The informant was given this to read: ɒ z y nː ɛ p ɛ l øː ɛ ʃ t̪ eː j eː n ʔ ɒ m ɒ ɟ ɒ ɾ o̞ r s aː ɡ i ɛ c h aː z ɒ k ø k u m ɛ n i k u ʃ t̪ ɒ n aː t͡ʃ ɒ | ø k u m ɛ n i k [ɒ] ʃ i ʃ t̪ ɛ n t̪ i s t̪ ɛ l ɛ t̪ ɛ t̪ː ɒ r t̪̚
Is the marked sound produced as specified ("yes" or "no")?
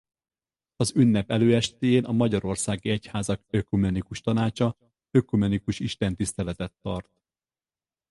no